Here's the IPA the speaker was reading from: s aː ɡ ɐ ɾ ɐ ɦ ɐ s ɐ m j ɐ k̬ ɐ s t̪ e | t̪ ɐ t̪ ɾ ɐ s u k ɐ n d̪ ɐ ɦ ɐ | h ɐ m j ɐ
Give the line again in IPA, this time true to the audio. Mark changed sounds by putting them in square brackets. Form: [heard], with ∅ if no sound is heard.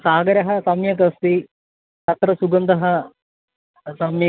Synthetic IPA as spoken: s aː ɡ ɐ ɾ ɐ ɦ ɐ s ɐ m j ɐ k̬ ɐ s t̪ [i] | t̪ ɐ t̪ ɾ ɐ s u [ɡ] ɐ n d̪ ɐ ɦ ɐ | [s] ɐ m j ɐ